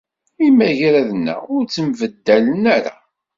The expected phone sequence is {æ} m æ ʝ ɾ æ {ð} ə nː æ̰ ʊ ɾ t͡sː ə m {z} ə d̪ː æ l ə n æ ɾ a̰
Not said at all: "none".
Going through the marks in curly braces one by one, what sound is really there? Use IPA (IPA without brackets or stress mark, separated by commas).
i, ð, v